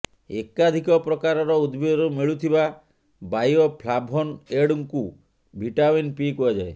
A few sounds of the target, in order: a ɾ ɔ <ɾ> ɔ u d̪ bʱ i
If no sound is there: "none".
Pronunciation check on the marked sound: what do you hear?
ɾ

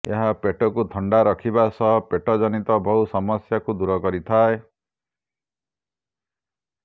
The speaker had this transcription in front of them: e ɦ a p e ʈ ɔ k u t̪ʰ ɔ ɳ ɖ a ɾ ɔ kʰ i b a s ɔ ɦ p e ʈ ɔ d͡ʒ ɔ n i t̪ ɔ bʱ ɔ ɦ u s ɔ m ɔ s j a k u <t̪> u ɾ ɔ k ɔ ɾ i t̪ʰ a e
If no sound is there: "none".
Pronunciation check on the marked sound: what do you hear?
d̪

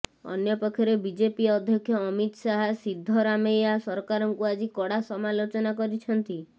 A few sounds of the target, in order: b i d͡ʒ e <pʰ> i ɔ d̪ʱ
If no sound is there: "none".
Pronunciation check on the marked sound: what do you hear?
p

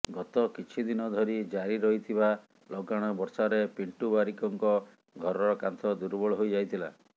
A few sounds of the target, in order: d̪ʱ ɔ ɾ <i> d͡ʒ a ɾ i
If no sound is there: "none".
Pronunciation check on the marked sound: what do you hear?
i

